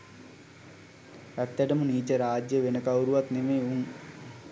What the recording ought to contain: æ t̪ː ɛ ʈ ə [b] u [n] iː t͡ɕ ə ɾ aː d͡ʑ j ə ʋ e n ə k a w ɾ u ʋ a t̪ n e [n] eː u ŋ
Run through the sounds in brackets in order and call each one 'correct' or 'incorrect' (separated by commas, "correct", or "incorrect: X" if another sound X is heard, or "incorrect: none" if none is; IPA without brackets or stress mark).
incorrect: m, correct, incorrect: m